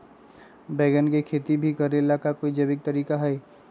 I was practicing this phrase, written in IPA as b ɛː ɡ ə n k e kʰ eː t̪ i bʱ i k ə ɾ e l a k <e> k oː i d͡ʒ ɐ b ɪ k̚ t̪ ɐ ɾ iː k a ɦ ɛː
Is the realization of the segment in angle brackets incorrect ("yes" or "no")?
yes